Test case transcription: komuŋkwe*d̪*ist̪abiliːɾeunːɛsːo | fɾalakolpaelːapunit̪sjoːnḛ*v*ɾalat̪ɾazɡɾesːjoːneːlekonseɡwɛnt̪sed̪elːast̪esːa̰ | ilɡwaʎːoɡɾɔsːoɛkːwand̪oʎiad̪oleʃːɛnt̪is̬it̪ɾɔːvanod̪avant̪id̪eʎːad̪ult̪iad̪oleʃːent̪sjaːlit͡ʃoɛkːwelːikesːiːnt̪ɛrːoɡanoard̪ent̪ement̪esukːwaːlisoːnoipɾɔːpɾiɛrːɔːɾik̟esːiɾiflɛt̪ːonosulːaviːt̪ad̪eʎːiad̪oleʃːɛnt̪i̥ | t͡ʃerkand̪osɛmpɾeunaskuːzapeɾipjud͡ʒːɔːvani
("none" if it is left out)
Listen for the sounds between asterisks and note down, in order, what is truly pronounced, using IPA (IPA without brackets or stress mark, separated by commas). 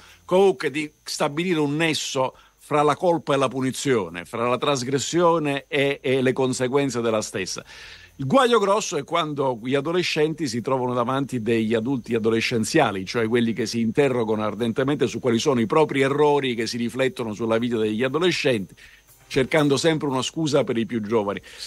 d̪, f